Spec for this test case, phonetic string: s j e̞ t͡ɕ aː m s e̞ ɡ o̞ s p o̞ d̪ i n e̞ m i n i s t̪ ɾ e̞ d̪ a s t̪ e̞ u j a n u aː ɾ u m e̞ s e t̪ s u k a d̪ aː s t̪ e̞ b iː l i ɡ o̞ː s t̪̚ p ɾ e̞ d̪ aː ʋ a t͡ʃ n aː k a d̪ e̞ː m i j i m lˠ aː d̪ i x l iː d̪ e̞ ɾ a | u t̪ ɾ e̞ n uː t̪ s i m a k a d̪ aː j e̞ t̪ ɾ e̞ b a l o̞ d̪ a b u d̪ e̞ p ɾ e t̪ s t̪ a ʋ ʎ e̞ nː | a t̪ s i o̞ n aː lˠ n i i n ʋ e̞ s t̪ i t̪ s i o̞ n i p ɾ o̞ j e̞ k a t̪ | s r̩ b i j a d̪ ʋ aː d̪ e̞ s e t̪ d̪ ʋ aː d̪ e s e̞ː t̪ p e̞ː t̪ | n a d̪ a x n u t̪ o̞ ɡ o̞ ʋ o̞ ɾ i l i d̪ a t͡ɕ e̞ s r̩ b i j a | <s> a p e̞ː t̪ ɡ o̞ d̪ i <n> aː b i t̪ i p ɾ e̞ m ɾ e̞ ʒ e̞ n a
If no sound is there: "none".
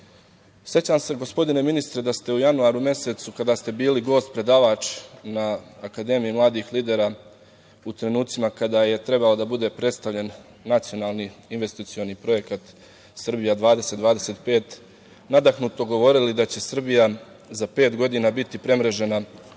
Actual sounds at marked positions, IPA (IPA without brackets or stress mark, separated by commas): z, n